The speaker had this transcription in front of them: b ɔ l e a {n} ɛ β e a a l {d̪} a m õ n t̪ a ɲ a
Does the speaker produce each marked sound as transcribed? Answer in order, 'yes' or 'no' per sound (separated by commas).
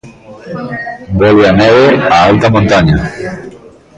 yes, no